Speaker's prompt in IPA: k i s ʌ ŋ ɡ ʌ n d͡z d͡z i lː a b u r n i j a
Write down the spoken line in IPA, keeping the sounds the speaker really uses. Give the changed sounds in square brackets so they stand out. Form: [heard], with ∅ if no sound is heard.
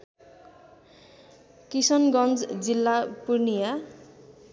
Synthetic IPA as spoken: k i s ʌ [n] ɡ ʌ n d͡z d͡z i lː a [p] u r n i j a